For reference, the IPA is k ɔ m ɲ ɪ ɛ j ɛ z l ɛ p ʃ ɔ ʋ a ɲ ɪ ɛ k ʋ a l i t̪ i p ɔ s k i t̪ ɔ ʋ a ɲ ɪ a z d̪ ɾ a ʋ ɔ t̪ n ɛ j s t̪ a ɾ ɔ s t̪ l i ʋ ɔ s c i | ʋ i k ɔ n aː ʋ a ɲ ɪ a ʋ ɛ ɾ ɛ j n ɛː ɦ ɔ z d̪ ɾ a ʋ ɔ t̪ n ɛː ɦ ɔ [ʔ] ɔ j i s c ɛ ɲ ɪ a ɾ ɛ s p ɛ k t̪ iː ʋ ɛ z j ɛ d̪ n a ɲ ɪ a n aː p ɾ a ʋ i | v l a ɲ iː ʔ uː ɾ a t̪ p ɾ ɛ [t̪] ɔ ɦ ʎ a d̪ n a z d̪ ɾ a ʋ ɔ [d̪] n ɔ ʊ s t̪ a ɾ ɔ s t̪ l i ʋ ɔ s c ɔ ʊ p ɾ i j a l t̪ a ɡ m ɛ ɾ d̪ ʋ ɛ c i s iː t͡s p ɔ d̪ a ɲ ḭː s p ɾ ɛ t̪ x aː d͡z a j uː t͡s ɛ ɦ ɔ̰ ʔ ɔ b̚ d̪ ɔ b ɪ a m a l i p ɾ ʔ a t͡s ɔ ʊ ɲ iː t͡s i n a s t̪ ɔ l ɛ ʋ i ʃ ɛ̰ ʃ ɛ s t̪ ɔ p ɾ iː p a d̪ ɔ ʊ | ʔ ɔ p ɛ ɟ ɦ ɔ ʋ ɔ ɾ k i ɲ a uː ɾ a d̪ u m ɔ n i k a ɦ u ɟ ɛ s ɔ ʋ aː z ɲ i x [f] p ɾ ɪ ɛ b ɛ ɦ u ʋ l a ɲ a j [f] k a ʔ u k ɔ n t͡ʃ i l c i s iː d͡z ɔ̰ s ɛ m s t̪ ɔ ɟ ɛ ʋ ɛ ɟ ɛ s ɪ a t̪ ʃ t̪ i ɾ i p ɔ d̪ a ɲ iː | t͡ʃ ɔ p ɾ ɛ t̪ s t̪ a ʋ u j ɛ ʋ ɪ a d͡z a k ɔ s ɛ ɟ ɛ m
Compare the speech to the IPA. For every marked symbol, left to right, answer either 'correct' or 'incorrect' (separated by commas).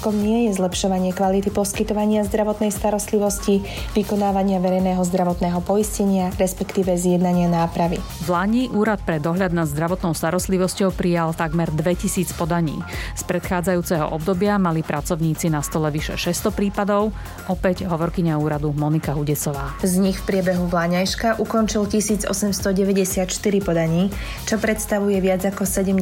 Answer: incorrect, incorrect, incorrect, correct, incorrect